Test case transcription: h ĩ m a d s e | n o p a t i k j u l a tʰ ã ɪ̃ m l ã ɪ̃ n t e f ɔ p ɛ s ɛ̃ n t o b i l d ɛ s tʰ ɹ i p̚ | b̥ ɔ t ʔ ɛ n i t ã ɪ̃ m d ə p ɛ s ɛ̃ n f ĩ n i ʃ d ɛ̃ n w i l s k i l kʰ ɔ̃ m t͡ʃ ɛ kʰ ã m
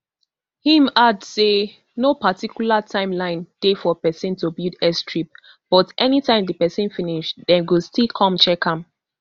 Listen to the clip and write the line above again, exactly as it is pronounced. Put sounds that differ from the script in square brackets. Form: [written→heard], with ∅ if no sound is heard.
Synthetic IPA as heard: h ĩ m a d s e | n o p a t i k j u l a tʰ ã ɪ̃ m l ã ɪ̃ n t e f ɔ p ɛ s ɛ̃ n t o b i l d ɛ s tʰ ɹ i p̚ | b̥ ɔ t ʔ ɛ n i t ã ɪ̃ m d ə p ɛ s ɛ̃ n f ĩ n i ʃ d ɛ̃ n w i l s [k→t] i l kʰ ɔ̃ m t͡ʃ ɛ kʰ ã m